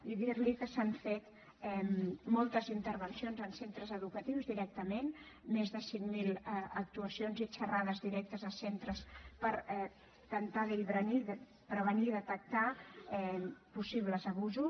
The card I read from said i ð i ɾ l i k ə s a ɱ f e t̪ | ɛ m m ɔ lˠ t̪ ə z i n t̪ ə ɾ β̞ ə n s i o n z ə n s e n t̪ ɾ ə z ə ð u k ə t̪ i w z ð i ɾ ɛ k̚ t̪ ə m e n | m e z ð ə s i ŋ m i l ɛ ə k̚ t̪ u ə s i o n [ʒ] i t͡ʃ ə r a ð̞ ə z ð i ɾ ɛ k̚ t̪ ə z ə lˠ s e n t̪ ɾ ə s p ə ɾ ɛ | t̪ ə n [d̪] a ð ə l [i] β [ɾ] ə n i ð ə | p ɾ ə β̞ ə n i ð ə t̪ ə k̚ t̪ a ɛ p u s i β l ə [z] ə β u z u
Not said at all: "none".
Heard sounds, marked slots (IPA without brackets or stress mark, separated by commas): z, t̪, i, ɾ, z